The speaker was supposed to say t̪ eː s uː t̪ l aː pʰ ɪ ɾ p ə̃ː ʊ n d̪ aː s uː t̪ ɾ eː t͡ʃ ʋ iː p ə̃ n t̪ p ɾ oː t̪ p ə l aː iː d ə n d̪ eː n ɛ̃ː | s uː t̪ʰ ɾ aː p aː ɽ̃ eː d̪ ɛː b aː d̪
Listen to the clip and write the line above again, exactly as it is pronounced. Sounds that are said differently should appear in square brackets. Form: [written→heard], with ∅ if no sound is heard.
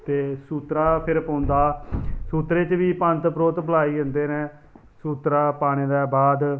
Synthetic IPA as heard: t̪ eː s uː t̪ [l→ɾ] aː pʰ ɪ ɾ p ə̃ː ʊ n d̪ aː s uː t̪ ɾ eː t͡ʃ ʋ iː p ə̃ n t̪ p ɾ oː t̪ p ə l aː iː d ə n d̪ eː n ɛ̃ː | s uː [t̪ʰ→t̪] ɾ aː p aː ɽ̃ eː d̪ ɛː b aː d̪